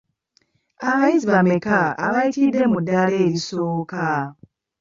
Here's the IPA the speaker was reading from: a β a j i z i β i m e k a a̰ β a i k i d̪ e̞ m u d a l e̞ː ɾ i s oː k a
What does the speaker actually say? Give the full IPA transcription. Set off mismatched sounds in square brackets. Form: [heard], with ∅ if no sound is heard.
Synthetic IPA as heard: a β a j i z i β [a] m e k a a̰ β a i [t] i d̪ e̞ m u d a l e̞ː ɾ i s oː k a